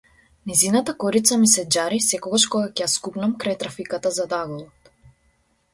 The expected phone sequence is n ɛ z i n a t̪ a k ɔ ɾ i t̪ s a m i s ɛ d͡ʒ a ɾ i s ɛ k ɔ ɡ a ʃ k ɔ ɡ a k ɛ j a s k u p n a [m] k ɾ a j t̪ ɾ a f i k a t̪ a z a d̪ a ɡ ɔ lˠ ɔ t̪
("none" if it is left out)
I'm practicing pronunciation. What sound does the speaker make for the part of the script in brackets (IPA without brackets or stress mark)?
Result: m